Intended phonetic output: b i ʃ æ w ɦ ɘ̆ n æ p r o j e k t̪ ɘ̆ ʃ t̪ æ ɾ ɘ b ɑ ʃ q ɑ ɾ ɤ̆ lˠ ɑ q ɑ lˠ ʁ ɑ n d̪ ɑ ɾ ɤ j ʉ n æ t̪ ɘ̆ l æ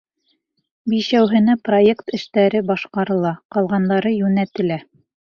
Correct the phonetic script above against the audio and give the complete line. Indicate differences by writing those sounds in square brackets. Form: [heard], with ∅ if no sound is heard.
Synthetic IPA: b i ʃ æ w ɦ ɘ̆ n æ p r o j e k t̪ ɘ̆ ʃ t̪ æ ɾ ɘ b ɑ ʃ q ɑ ɾ ɤ̆ lˠ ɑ q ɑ lˠ ʁ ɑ n d̪ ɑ ɾ ɤ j ʉ n æ t̪ ɘ̆ l æ